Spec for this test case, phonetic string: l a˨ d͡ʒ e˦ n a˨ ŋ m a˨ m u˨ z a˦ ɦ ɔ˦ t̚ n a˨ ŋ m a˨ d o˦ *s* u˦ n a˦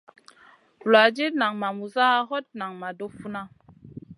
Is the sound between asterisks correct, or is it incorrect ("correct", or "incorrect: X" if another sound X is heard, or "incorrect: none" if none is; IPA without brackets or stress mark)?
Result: incorrect: f